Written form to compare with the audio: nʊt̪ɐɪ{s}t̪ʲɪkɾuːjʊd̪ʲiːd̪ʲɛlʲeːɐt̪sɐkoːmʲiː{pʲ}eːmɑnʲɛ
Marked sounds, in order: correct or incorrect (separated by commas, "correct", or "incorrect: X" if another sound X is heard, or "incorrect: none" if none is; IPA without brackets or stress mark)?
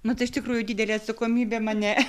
incorrect: ʃ, incorrect: bʲ